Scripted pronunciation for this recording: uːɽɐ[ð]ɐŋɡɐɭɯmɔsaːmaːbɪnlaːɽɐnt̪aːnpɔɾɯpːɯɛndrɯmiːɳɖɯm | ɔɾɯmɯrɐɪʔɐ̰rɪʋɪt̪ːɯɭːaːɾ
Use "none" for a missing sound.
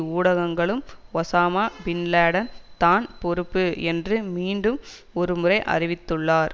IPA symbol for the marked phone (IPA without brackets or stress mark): ɣ